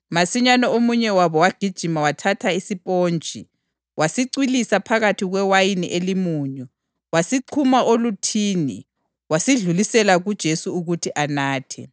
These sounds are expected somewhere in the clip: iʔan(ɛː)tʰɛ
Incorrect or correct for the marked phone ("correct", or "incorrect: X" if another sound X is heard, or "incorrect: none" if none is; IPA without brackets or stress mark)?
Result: incorrect: aː